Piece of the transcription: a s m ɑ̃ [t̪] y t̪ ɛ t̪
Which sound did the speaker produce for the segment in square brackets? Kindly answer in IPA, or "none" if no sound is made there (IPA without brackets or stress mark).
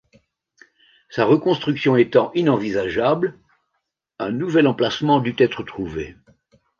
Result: d̪